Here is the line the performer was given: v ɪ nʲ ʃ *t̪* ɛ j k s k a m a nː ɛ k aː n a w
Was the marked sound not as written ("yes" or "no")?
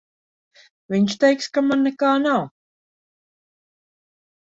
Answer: no